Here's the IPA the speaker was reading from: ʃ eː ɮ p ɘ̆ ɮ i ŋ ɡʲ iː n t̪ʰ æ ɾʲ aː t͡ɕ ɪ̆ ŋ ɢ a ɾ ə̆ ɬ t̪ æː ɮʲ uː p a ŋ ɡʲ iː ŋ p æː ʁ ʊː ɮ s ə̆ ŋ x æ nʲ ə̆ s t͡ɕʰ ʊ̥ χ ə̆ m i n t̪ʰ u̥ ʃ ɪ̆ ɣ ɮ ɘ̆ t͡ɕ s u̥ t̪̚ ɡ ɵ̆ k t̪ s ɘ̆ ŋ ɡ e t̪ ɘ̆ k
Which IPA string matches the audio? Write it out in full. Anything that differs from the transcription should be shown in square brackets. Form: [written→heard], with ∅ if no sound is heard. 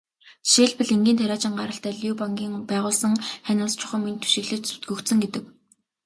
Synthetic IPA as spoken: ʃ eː ɮ p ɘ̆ ɮ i ŋ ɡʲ iː n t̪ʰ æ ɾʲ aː t͡ɕ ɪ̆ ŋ ɢ a ɾ ə̆ ɬ t̪ æː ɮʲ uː p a ŋ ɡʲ iː ŋ p æː ʁ ʊː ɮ s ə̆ ŋ [x→χ] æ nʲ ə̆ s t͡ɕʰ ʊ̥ χ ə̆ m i n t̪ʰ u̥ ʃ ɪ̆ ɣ ɮ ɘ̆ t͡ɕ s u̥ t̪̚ ɡ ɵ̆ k t̪ s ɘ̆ ŋ ɡ e t̪ ɘ̆ k